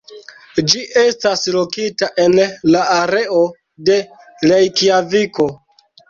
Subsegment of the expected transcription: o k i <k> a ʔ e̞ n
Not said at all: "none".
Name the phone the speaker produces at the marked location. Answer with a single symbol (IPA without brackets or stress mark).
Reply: t